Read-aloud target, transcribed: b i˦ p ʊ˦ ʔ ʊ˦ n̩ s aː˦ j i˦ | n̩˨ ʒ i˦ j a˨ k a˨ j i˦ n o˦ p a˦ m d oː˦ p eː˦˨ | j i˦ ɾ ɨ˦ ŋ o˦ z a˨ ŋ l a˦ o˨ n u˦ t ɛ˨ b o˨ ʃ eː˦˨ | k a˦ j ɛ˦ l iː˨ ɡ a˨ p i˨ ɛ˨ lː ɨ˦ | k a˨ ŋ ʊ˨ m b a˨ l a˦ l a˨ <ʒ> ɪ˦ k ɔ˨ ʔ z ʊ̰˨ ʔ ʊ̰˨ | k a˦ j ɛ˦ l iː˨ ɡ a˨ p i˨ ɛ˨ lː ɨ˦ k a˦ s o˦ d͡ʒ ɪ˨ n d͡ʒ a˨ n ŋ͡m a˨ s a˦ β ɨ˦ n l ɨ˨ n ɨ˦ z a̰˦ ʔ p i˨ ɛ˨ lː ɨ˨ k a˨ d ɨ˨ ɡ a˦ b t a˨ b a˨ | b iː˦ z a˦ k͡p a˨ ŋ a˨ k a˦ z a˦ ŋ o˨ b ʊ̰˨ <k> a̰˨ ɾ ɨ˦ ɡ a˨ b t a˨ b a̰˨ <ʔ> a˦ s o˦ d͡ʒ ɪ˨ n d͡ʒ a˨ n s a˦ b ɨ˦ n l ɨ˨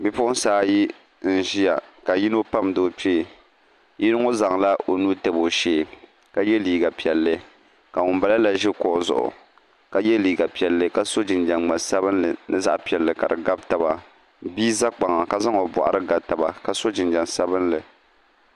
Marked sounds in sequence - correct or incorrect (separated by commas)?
correct, incorrect, incorrect